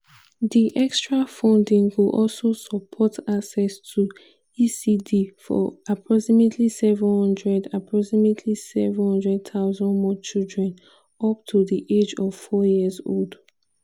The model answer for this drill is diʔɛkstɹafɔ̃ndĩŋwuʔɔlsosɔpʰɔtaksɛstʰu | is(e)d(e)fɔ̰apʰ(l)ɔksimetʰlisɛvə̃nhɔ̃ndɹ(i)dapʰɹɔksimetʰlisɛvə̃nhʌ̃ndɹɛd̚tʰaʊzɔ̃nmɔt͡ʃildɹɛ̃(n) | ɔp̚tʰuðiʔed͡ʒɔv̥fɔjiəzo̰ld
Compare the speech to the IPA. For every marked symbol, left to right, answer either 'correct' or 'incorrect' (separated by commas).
incorrect, incorrect, incorrect, incorrect, correct